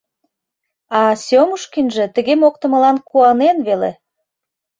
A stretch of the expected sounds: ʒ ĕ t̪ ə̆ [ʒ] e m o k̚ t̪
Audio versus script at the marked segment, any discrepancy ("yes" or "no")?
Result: yes